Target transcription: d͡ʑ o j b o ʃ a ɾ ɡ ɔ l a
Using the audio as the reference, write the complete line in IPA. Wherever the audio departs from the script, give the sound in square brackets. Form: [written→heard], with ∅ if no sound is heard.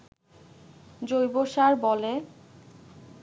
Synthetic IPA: d͡ʑ o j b o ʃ a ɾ [ɡ→b] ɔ l [a→e]